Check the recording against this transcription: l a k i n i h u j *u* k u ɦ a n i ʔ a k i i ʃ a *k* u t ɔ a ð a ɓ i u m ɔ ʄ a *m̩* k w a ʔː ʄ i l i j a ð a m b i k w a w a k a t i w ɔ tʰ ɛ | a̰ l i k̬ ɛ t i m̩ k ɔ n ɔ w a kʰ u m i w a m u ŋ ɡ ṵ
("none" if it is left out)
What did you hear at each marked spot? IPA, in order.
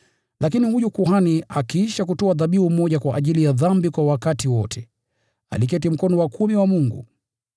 u, k, none

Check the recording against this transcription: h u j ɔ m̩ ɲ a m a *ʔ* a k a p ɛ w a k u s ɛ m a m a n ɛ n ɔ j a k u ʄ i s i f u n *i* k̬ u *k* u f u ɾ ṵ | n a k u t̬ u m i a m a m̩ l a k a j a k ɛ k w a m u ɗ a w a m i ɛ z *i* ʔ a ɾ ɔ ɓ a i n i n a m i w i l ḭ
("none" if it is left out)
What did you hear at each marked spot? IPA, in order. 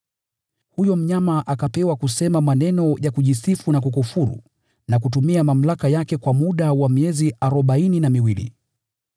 ʔ, a, k, i

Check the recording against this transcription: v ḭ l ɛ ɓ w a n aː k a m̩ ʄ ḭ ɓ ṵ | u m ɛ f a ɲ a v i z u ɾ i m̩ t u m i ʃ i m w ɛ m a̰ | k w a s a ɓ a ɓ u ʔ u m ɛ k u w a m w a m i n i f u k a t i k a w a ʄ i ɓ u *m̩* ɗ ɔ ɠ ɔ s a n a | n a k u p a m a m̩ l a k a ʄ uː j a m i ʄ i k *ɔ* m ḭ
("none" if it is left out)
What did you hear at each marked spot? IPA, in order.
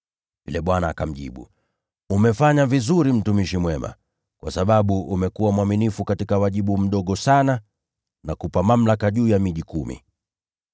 m̩, u

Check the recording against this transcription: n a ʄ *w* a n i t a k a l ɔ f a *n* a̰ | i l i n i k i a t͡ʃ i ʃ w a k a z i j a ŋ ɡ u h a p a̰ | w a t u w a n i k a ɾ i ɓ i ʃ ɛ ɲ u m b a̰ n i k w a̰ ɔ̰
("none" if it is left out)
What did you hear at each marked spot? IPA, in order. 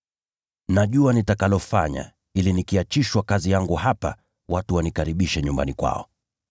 u, ɲ

